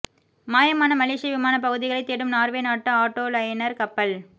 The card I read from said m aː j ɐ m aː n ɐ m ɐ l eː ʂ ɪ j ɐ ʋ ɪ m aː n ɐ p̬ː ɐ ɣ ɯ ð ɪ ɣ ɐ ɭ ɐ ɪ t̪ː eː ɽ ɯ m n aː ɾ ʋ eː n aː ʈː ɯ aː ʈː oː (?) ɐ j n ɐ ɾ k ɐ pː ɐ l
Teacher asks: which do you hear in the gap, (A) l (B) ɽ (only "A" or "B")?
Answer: A